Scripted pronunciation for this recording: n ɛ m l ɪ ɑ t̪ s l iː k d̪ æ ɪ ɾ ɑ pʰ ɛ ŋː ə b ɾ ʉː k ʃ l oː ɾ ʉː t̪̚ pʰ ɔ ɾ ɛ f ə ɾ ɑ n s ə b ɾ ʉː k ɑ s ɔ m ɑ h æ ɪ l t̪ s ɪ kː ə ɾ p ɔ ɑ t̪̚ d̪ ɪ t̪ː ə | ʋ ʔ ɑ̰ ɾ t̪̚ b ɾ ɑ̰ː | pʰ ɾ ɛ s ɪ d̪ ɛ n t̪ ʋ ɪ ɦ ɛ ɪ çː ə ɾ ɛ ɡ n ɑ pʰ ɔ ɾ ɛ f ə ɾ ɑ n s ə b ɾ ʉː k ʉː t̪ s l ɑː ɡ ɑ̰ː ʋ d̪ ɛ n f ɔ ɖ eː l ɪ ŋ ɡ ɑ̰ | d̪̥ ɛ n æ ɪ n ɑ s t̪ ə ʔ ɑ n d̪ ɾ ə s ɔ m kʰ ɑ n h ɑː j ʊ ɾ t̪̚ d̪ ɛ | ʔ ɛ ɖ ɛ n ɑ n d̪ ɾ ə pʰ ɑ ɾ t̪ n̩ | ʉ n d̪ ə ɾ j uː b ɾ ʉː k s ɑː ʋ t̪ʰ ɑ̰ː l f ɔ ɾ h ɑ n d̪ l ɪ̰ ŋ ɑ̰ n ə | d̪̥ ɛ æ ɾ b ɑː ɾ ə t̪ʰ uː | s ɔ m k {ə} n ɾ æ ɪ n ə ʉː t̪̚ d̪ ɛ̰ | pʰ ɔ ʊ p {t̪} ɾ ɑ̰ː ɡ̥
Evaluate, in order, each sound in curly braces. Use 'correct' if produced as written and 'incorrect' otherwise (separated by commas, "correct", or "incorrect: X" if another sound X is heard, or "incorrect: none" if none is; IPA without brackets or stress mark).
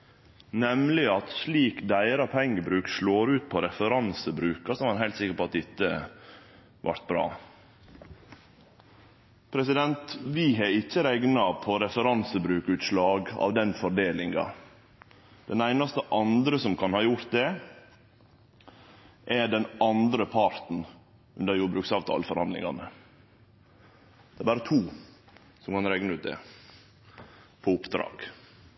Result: incorrect: ɑ, incorrect: d̪